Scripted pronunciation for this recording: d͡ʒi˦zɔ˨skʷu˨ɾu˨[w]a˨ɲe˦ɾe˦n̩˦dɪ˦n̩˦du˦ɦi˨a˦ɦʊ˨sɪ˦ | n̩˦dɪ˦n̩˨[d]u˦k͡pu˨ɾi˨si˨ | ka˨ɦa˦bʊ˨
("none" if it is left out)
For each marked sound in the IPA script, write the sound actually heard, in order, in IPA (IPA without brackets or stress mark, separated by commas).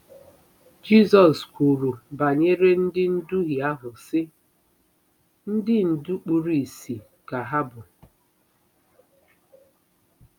b, d